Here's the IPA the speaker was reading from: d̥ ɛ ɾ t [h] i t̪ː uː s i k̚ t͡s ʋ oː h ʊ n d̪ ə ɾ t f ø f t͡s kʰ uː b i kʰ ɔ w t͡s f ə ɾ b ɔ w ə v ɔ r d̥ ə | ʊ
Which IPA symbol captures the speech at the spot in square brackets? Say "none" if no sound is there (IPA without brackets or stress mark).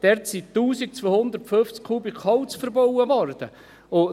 s